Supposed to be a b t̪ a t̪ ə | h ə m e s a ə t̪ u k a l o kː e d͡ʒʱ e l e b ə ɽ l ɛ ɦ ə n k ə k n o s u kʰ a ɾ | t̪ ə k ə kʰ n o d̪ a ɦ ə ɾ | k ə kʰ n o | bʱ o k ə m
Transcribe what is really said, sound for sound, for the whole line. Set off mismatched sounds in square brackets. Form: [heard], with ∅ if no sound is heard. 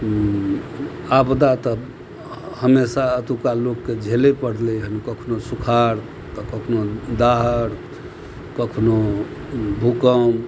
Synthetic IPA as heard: a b [d̪] a t̪ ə | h ə m e s a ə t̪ u k a l o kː e d͡ʒʱ e l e [p] ə ɽ l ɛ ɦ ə n k ə [kʰ] n o s u kʰ a ɾ | t̪ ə k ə kʰ n o d̪ a ɦ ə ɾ | k ə kʰ n o | bʱ [u] k ə m